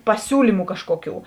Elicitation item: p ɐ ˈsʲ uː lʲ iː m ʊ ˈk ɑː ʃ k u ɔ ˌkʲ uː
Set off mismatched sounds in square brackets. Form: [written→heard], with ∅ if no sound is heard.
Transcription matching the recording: p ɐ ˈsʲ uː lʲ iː m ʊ ˈk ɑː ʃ k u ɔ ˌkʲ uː